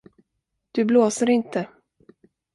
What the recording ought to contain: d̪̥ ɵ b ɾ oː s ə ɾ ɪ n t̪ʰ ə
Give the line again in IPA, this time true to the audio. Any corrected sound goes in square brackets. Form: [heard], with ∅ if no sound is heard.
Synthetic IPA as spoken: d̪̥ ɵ b [l] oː s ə ɾ ɪ n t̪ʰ ə